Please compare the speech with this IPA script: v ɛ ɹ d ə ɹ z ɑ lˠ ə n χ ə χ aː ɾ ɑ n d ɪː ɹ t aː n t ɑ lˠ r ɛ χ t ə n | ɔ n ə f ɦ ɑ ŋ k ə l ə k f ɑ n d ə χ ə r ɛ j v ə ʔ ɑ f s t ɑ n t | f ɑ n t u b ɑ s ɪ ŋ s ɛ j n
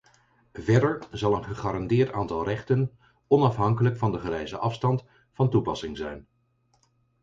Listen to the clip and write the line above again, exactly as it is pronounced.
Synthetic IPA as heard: v ɛ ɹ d ə ɹ z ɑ lˠ ə n χ ə χ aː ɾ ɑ n d ɪː ɹ t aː n t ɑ lˠ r ɛ χ t ə n | ɔ n ɑ f ɦ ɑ ŋ k ə l ə k f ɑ n d ə χ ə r ɛ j z ə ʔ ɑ f s t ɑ n t | f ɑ n t u p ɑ s ɪ ŋ z ɛ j n